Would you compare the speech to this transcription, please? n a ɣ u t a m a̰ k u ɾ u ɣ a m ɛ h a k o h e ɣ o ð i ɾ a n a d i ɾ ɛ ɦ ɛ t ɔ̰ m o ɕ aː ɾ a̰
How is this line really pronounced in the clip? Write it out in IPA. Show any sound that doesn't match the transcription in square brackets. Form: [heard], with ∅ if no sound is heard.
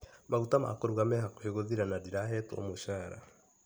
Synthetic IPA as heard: [m] a ɣ u t a m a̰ k [o] ɾ u ɣ a m ɛ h a k o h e ɣ o ð i ɾ a n a d i ɾ [a] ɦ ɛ t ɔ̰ m o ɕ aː ɾ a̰